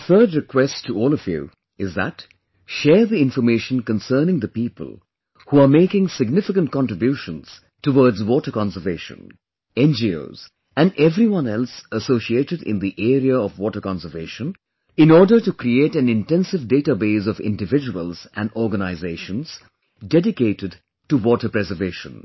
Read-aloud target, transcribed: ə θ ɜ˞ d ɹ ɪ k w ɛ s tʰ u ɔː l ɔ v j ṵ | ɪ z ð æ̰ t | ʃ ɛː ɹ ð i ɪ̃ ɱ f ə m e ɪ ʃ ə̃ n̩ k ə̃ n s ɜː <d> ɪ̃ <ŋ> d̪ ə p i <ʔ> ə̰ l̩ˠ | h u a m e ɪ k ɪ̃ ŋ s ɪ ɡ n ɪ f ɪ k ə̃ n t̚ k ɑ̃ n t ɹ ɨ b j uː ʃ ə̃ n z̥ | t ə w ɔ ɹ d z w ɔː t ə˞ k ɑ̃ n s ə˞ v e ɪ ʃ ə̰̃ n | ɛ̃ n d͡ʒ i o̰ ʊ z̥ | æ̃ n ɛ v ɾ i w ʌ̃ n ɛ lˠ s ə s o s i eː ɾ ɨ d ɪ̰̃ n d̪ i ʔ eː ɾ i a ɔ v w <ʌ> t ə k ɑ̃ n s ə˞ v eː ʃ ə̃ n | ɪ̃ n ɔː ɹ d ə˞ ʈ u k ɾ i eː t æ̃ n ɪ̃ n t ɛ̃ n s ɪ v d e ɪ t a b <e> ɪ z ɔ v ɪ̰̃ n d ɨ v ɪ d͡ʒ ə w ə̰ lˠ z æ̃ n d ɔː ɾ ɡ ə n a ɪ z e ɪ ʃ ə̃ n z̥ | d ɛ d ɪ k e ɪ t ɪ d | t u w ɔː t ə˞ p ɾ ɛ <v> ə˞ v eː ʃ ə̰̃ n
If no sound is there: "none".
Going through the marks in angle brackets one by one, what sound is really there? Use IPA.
n, ŋ, p, ɔ, e, z

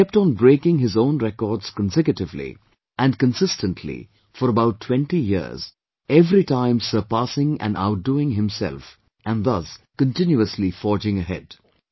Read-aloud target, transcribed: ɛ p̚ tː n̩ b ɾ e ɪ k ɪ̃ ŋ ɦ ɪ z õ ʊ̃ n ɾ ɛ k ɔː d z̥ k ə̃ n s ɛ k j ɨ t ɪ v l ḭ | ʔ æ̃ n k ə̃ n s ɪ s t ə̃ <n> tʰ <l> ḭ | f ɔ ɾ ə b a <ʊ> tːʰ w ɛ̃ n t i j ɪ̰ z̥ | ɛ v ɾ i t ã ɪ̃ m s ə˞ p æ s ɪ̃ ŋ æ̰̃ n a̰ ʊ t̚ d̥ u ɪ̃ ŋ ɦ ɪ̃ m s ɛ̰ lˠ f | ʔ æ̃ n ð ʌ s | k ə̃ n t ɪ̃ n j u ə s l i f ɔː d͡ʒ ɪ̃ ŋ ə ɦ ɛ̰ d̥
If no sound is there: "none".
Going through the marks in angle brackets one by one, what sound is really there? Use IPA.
n, l, ʊ

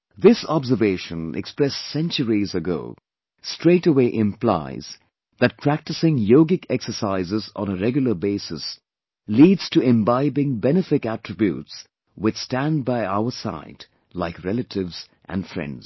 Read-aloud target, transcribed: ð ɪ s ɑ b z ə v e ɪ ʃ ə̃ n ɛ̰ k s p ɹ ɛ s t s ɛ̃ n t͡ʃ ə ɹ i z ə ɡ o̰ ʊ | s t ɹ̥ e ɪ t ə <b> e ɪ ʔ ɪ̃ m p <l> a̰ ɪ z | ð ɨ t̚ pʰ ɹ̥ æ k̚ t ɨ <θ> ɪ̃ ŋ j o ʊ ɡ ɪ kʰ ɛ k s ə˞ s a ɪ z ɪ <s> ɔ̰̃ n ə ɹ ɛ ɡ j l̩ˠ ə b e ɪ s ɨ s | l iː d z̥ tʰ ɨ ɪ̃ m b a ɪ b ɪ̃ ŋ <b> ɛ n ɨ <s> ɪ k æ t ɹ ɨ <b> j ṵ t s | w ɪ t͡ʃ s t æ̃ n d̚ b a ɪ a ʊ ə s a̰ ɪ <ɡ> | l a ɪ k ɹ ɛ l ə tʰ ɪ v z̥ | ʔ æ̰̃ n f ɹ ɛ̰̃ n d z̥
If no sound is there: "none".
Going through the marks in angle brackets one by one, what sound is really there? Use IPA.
w, l, s, z, b, f, b, d

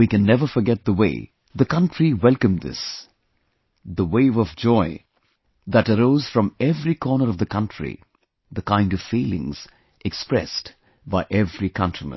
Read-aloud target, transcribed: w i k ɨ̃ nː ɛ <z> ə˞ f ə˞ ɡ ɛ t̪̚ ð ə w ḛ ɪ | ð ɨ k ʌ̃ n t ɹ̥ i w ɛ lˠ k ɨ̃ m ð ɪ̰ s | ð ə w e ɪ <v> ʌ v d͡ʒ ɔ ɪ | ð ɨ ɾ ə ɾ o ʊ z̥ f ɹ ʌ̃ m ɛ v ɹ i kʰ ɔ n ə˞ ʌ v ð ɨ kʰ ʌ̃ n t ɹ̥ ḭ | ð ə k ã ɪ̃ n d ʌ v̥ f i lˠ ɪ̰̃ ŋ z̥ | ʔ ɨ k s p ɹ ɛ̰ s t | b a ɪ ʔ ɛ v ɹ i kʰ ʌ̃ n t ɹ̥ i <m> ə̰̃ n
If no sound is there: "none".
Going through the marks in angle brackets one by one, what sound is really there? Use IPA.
v, v, m

